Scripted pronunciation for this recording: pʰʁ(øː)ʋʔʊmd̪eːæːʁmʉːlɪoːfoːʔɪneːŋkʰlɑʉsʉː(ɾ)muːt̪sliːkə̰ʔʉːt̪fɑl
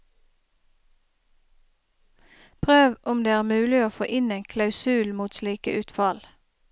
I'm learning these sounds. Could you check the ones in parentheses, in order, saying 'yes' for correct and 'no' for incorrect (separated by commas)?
yes, no